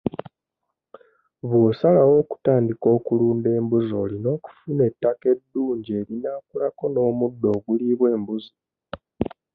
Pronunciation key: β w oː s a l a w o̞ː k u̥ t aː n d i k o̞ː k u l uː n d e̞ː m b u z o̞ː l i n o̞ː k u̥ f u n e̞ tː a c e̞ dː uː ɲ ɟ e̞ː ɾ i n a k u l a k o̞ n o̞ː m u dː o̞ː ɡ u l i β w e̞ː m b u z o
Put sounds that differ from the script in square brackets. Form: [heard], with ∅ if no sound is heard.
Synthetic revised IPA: β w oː s a l a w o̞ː k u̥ t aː n d i k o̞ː k u l uː n d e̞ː m b u z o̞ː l i n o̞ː k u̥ f u n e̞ tː a [k] e̞ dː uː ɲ ɟ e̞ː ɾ i n a k u l a k o̞ n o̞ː m u dː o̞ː ɡ u l i β w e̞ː m b u z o